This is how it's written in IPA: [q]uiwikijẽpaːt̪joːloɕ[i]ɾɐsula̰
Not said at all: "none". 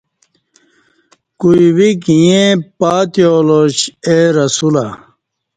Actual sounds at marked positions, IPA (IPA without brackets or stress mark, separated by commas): k, e